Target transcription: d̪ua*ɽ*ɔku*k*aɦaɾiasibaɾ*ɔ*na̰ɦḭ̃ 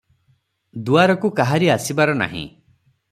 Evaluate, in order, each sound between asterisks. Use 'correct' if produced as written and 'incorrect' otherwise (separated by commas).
incorrect, correct, correct